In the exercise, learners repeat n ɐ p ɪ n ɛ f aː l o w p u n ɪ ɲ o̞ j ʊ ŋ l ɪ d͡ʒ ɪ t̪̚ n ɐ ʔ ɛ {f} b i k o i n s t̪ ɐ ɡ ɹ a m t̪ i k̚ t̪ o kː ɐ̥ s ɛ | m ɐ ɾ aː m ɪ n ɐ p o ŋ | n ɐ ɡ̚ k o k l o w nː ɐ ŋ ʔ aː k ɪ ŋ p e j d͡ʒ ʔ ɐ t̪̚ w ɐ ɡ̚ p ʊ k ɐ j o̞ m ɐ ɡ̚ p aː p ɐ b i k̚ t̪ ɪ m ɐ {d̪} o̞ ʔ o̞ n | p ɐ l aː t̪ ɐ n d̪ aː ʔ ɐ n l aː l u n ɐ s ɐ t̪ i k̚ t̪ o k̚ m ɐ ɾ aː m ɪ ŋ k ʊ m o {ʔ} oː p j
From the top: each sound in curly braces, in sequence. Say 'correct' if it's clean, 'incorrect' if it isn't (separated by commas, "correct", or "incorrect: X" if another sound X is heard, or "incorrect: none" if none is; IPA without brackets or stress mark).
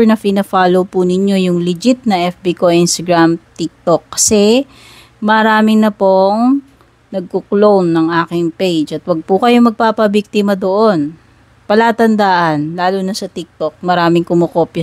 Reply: correct, correct, incorrect: k